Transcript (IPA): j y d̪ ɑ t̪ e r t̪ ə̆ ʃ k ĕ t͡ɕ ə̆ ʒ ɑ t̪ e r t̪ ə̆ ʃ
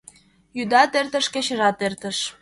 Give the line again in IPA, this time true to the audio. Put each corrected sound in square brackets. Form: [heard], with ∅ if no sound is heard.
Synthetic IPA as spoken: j y d̪ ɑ t̪ e r t̪ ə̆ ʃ k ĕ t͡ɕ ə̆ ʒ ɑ t̪ e r t̪ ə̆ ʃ